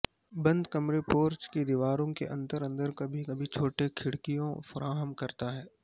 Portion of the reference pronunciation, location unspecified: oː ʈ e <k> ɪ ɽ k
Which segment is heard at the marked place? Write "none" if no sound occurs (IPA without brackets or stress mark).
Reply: kʰ